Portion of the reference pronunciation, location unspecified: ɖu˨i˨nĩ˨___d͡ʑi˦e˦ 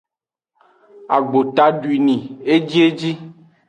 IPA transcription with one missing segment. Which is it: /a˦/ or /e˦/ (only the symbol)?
e˦